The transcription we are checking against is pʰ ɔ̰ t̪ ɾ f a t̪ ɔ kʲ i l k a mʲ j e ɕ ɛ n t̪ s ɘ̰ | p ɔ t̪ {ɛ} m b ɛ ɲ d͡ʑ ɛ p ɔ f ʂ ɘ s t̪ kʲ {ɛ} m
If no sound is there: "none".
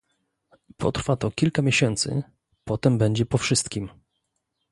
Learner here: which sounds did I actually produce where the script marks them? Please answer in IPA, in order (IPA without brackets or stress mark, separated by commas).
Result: ɛ, i